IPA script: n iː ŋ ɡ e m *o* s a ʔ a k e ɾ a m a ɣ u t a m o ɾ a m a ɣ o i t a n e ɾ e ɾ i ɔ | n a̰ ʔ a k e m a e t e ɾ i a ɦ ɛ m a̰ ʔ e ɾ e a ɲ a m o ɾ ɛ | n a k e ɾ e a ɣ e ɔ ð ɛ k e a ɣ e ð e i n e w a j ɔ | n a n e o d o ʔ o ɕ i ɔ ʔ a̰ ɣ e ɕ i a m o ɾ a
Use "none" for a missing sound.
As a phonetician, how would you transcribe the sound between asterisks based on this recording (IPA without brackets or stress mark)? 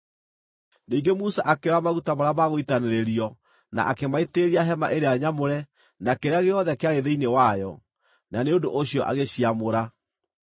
u